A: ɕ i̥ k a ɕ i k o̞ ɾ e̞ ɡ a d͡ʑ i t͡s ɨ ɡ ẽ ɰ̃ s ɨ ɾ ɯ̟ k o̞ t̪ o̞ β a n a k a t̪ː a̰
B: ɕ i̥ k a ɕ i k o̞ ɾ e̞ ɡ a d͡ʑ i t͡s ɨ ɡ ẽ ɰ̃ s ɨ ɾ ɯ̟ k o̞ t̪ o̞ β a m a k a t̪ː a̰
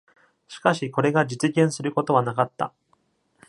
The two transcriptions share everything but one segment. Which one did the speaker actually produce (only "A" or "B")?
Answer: A